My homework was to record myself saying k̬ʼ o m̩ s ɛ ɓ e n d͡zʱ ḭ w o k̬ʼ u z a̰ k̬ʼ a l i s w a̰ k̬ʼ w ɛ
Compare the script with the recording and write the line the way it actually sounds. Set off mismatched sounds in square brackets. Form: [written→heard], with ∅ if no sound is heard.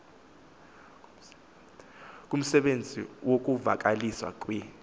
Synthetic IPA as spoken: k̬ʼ [o→u] m̩ s ɛ ɓ e n d͡zʱ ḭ w o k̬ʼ u [z→v] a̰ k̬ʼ a l i s w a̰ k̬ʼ w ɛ